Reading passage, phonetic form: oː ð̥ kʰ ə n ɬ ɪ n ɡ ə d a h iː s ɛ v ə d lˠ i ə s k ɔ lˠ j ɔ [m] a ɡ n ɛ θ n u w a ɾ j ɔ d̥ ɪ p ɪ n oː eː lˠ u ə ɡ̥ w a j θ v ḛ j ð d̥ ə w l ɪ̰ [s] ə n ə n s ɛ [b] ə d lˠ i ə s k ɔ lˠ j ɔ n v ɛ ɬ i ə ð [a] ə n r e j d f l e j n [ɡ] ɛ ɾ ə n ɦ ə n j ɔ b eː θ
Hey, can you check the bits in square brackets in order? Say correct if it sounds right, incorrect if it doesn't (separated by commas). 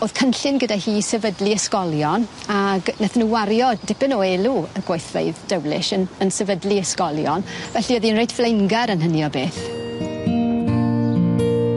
incorrect, incorrect, incorrect, incorrect, correct